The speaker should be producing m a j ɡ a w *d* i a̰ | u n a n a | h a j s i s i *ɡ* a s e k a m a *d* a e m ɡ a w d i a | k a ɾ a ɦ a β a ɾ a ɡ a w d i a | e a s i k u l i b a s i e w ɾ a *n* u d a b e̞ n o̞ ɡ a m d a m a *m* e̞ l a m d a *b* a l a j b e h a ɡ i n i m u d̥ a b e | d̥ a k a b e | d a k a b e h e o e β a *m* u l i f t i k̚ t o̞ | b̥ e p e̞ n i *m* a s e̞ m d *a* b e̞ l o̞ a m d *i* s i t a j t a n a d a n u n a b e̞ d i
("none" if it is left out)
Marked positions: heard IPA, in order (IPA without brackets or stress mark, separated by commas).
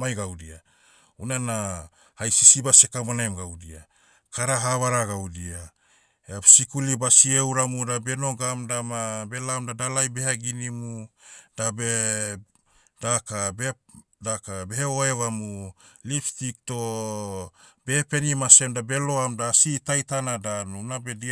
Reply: d, b, n, m, b, d, m, m, a, a